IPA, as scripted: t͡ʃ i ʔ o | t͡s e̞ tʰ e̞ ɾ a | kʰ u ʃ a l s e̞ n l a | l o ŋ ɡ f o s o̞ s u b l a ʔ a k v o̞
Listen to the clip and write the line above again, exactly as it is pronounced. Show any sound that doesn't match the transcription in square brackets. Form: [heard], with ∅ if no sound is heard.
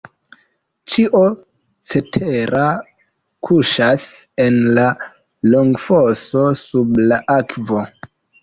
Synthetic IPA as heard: t͡ʃ i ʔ o | t͡s e̞ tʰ e̞ ɾ a | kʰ u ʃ a [∅] s e̞ n l a | l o ŋ ɡ f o s o̞ s u b l a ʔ a k v o̞